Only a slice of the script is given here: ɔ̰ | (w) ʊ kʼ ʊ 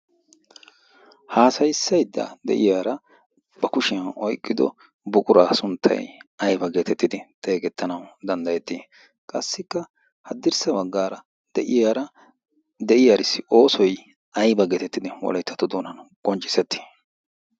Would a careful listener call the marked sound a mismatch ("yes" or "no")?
yes